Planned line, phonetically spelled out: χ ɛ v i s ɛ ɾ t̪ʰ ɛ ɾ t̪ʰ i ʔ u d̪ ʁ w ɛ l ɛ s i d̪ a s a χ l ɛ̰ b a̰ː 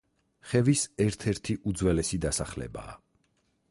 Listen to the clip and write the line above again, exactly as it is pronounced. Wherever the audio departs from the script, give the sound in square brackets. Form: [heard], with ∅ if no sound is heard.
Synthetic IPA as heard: χ ɛ v i s ɛ ɾ t̪ʰ ɛ ɾ t̪ʰ i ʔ u d̪ [z] w ɛ l ɛ s i d̪ a s a χ l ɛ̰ b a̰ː